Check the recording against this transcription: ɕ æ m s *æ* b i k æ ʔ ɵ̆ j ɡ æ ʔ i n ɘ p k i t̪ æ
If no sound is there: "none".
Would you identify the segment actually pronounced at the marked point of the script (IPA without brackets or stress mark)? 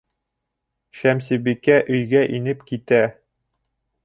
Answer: i